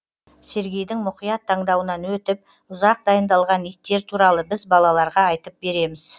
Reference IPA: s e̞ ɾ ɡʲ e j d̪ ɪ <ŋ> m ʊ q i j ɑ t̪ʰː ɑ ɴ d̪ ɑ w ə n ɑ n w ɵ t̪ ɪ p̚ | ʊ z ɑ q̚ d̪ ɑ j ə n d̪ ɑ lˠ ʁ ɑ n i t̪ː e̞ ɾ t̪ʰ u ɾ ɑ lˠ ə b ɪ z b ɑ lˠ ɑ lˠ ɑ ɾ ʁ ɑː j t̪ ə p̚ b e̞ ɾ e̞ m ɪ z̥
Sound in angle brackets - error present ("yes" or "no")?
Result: no